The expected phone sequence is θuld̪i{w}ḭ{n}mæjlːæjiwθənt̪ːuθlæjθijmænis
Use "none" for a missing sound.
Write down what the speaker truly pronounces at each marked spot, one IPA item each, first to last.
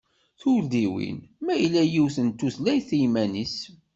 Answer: w, n

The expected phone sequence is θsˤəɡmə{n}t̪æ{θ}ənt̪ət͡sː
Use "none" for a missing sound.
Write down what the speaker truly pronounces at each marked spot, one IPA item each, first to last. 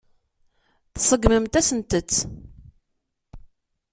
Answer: m, s

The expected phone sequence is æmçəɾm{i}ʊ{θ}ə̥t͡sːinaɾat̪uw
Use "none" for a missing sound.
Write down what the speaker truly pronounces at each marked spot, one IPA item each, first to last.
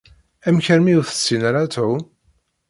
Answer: i, θ

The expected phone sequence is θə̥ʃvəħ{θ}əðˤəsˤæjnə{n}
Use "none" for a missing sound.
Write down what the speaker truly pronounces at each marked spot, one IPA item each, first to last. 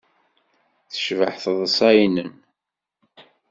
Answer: θ, n

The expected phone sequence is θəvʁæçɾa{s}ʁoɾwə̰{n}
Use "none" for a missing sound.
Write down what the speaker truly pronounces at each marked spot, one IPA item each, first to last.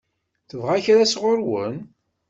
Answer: s, n

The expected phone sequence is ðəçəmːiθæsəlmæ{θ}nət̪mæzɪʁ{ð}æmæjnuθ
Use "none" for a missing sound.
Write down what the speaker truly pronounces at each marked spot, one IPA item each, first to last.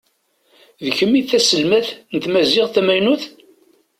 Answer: θ, θ

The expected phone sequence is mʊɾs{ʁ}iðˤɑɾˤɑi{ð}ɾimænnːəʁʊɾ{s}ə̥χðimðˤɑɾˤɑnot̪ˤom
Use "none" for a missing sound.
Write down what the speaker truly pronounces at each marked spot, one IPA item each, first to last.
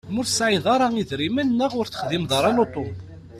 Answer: ʕ, ð, θ

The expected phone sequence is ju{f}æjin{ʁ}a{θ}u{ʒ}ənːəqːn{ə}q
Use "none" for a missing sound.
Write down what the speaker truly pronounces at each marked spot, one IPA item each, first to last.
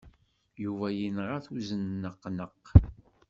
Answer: v, ʁ, θ, z, ə

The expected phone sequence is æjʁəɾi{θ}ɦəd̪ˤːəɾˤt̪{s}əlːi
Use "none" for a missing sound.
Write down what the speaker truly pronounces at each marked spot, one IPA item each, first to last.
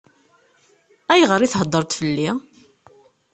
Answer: θ, f

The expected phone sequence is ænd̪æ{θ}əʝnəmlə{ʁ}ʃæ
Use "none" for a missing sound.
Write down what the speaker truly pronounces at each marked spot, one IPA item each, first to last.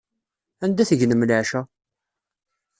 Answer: θ, ʕ

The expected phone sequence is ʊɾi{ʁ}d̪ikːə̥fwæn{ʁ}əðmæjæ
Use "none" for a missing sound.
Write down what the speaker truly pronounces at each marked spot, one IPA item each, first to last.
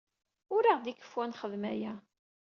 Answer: ʁ, χ

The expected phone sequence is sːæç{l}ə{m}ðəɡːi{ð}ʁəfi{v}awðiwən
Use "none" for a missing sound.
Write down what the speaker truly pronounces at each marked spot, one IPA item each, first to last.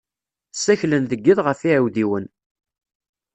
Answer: l, n, ð, ʕ

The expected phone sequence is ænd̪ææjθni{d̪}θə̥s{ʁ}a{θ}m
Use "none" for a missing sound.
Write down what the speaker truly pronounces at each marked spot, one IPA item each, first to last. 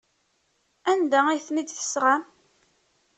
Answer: d̪, ʁ, none

